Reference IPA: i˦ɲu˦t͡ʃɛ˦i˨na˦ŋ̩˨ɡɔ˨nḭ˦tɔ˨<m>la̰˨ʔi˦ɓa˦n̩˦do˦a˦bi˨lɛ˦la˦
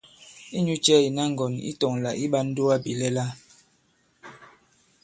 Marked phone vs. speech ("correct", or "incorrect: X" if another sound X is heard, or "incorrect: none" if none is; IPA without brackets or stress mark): incorrect: ŋ